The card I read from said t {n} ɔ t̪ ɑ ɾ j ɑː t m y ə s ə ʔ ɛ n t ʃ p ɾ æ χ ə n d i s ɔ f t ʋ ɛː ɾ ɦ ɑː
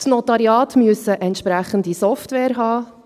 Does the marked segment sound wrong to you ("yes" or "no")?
no